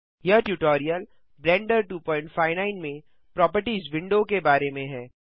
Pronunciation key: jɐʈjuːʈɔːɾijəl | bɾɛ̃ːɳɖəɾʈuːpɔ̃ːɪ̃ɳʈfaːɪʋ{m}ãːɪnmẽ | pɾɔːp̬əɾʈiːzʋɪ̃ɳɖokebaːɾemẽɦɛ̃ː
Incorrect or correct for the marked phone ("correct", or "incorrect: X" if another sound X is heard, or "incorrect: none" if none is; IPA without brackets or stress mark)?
incorrect: n